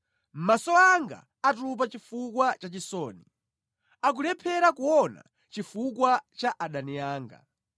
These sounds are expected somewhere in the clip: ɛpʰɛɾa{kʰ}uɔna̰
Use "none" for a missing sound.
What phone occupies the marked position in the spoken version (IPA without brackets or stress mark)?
k